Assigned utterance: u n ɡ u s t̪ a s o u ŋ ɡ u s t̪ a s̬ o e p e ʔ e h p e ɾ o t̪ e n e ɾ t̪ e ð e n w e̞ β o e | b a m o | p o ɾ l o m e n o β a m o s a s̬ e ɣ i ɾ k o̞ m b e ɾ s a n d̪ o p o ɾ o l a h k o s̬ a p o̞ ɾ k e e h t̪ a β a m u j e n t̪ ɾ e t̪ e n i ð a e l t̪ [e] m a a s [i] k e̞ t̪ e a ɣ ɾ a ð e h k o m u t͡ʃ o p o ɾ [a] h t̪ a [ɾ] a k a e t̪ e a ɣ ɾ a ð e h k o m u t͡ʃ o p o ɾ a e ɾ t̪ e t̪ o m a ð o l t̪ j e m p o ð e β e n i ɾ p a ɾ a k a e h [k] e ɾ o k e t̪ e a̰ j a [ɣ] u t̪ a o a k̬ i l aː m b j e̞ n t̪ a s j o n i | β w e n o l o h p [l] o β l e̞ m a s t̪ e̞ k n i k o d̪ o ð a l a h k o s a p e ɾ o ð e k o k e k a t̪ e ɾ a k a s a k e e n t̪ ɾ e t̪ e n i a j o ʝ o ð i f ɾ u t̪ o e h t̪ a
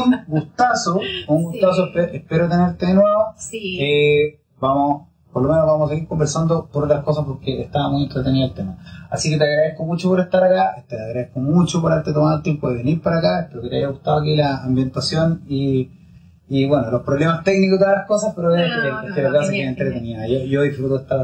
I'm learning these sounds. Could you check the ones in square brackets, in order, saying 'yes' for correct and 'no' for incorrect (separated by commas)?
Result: yes, yes, no, yes, no, yes, no